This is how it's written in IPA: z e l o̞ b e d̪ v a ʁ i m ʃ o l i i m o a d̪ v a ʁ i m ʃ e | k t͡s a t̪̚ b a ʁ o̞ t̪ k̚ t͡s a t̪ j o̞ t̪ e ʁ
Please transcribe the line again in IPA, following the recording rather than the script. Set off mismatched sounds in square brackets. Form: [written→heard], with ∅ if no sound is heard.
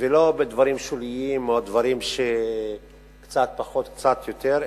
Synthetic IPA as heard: [z→v] e l o̞ b e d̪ v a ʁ i m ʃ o l i i m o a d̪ v a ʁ i m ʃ e | k t͡s a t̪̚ [b→p] a [ʁ→χ] o̞ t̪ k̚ t͡s a t̪ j o̞ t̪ e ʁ